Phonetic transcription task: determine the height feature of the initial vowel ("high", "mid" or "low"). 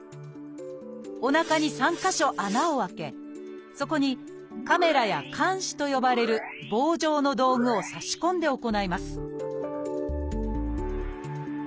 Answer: mid